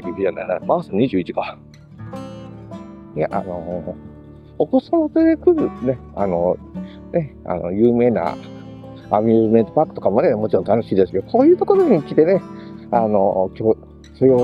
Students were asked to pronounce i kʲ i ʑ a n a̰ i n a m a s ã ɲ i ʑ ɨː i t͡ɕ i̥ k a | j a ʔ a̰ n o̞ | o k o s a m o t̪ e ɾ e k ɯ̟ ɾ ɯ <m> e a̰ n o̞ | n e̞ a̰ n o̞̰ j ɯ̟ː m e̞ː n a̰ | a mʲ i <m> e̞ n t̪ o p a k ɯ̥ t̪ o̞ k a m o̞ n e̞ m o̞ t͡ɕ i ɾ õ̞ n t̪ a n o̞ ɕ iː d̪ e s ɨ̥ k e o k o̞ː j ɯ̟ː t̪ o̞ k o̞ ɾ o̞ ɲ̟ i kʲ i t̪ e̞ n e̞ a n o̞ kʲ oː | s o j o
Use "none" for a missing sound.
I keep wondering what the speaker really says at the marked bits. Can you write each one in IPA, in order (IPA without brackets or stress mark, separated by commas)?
n, m